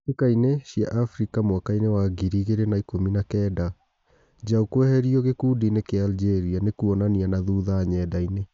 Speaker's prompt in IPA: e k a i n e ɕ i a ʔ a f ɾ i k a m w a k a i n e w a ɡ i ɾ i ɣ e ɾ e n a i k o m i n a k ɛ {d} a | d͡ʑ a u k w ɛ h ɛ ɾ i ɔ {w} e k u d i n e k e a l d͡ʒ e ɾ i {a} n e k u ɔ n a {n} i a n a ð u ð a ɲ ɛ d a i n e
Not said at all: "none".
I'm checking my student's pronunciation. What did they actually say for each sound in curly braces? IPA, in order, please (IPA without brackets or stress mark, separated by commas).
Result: d, ɣ, a, n